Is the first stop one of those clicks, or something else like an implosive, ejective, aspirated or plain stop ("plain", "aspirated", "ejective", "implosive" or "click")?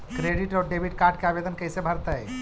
plain